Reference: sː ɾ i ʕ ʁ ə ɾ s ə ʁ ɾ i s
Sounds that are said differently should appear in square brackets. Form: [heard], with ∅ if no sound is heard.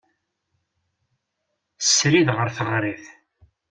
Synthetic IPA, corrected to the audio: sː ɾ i [ð] ʁ ə ɾ [θ] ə ʁ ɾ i [θ]